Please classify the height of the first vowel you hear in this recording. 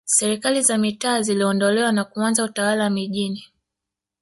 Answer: mid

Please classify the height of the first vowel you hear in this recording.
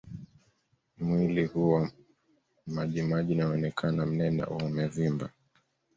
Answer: high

